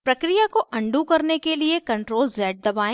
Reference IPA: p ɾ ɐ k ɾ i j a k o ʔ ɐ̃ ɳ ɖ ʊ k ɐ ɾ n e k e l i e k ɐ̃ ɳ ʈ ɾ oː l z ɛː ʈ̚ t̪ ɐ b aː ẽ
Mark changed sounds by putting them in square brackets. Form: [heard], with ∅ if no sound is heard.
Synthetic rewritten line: p ɾ ɐ k ɾ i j a k o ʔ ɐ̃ ɳ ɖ [u] k ɐ ɾ n e k e l i e k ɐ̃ ɳ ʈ ɾ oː l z ɛː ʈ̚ [d̪] ɐ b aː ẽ